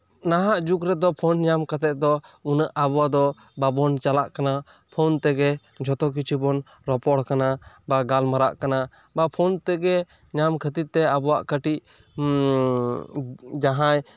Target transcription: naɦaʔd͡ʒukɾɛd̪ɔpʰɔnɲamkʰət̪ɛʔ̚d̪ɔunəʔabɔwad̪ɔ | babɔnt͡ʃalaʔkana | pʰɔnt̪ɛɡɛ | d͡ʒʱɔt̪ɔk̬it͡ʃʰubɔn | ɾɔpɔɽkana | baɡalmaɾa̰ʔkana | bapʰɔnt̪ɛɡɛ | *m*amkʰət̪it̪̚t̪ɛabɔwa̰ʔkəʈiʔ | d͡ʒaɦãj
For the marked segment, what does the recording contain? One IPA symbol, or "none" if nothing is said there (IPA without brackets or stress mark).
ɲ